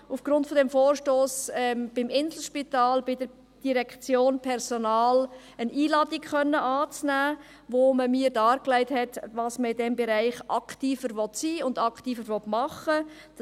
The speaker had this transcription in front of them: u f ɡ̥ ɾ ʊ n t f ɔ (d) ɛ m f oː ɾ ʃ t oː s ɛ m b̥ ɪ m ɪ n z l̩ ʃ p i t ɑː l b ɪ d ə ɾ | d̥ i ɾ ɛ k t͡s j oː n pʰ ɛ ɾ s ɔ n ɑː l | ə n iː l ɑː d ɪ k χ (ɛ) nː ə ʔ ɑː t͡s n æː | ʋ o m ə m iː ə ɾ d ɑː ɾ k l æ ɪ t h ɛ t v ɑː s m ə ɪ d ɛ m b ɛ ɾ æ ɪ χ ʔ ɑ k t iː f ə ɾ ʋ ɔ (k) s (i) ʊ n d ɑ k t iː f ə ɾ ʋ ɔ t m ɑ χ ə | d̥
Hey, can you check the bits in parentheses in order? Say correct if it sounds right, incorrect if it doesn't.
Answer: correct, incorrect: œ, incorrect: t, incorrect: iː

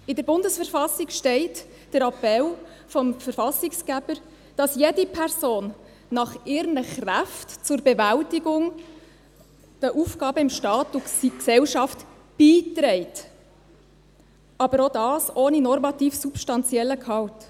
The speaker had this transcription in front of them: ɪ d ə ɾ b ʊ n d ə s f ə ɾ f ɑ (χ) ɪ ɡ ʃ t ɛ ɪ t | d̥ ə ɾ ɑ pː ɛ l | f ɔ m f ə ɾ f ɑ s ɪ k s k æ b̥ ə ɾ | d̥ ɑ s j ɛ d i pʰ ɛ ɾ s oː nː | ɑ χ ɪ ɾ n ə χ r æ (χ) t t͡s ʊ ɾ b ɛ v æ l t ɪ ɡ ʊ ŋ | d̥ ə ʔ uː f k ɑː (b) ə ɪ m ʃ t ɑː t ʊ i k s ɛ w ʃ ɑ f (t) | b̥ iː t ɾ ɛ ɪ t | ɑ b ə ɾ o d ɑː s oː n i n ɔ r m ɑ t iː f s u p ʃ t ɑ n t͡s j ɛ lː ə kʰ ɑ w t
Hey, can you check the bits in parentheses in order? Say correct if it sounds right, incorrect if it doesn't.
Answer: incorrect: s, incorrect: f, correct, correct

